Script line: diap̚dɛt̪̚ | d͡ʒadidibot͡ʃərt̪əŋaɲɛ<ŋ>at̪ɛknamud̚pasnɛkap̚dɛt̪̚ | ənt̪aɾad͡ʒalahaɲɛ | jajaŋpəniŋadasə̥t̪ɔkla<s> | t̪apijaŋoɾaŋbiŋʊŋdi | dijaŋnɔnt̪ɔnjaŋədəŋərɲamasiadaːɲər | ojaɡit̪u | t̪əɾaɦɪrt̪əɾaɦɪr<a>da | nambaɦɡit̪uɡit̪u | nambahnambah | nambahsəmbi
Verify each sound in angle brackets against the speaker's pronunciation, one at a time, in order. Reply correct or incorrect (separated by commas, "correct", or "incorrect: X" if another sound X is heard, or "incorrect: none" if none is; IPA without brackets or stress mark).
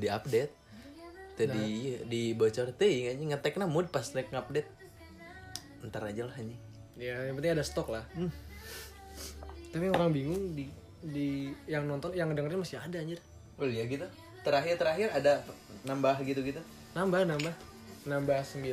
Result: correct, incorrect: h, correct